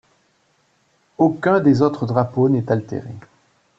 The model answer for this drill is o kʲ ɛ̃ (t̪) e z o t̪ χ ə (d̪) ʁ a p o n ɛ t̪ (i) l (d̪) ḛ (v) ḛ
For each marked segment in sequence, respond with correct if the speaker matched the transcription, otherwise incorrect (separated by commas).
incorrect, correct, incorrect, incorrect, incorrect